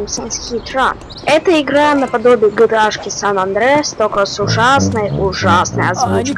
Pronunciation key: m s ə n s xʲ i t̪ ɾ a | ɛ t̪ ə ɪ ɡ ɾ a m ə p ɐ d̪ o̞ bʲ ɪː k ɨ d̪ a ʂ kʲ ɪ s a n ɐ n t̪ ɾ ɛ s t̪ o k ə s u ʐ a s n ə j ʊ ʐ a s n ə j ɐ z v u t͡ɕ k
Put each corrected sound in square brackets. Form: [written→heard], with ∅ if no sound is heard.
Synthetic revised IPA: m s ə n s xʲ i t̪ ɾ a | ɛ t̪ ə ɪ ɡ ɾ a [m→n] ə p ɐ d̪ o̞ bʲ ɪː [k→ɡ] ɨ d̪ a ʂ kʲ ɪ s a n ɐ n [t̪→d̪] ɾ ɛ s t̪ o k ə s [u→ʊ] ʐ a s n ə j ʊ ʐ a s n ə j ɐ z v u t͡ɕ k